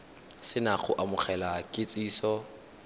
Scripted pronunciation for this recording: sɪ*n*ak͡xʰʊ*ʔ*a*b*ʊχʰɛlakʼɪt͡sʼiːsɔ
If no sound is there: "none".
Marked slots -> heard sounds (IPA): n, ʔ, m

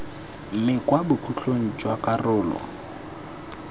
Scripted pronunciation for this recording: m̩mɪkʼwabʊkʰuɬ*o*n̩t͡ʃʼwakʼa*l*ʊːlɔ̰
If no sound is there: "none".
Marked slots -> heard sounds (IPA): o, r

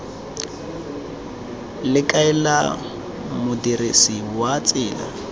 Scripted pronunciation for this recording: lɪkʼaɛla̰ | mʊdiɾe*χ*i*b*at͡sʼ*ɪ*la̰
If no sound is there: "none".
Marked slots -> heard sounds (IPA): s, w, ɪː

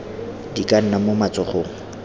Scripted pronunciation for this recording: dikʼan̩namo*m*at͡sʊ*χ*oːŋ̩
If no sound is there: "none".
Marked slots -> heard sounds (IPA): m, χ

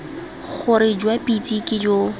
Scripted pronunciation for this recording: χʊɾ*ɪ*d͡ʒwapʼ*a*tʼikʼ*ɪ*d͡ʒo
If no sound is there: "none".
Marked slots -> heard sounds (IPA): ɪ, i, ɪ

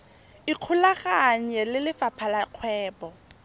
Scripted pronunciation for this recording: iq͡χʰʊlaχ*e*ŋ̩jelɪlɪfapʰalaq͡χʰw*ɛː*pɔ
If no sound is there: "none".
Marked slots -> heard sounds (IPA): a, ɛː

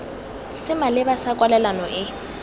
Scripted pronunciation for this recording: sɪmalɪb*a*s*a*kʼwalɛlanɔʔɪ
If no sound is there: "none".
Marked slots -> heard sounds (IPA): a, a

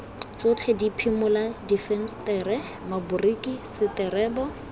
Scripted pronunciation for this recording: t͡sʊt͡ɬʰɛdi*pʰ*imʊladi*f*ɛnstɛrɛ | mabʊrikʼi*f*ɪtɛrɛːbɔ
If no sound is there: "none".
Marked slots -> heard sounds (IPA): pʰ, f, s

